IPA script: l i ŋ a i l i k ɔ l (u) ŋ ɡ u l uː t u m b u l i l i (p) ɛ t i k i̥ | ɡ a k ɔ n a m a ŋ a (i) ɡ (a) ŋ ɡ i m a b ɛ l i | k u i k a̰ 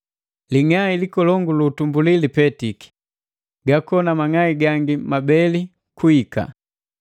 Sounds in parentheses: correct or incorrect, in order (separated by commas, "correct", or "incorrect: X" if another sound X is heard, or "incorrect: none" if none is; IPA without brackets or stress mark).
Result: incorrect: ɔ, correct, correct, correct